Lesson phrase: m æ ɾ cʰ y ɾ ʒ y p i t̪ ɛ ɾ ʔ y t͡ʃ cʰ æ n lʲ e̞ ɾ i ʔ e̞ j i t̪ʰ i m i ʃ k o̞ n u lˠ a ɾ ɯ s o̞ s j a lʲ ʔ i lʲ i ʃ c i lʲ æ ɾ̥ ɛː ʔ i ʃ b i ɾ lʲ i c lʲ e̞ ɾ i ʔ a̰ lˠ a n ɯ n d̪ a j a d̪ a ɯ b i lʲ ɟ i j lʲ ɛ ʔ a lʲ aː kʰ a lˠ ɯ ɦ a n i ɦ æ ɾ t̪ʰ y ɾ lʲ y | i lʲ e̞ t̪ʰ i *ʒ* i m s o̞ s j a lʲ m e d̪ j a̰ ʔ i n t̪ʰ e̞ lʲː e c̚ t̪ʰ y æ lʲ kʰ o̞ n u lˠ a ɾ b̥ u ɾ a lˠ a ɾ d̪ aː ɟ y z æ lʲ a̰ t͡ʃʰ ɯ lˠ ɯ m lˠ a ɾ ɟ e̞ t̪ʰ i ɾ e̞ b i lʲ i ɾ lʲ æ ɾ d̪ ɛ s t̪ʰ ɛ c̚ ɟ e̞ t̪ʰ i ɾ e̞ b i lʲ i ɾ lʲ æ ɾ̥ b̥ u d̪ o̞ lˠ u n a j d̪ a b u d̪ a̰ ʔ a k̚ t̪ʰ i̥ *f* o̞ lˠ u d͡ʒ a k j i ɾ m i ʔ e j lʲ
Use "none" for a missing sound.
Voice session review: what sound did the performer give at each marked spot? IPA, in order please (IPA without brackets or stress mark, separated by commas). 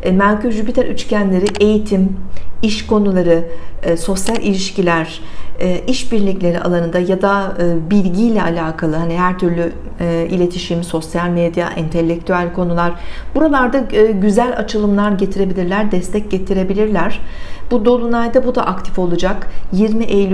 ʃ, f